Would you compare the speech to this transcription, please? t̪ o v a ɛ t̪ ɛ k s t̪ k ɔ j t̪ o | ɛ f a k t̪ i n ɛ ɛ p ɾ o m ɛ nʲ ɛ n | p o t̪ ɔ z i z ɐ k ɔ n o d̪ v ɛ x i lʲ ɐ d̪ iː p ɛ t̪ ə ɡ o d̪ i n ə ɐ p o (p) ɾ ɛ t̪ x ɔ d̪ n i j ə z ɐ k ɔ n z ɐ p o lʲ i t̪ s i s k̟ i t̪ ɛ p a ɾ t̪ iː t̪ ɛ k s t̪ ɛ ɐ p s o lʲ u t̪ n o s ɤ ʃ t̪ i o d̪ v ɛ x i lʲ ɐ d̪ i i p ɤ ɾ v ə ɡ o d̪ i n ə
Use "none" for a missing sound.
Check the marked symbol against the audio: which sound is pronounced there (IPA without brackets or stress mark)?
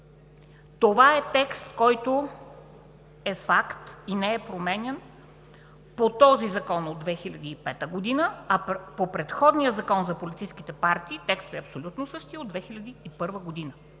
p